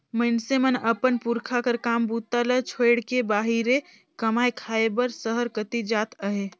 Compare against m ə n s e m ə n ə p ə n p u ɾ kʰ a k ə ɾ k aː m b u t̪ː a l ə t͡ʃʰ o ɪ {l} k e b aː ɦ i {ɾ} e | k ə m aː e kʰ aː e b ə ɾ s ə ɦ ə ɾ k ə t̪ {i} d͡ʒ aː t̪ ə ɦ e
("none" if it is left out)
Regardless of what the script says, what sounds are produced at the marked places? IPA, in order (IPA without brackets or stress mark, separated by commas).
ɽ, ɾ, i